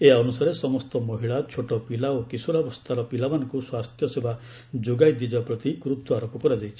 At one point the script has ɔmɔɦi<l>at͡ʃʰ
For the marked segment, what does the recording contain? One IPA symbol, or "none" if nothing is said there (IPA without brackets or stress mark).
ɭ